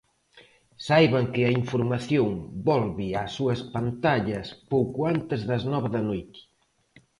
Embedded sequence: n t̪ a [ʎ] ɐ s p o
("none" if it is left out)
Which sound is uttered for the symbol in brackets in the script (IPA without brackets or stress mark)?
ʎ